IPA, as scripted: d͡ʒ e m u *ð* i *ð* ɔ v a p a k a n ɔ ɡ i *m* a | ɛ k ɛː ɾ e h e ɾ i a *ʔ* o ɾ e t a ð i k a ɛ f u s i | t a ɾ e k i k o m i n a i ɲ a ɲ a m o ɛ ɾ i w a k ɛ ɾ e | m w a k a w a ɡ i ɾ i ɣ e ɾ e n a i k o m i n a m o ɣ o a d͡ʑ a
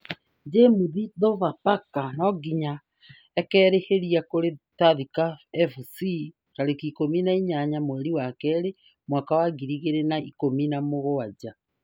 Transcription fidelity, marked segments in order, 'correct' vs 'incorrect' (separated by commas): correct, correct, incorrect, incorrect